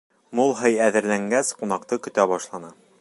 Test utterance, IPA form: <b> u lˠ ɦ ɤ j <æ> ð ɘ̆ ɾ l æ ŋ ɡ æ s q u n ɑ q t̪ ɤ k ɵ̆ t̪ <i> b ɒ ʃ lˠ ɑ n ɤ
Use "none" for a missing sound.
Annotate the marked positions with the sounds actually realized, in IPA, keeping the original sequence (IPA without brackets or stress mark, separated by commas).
m, æ, æ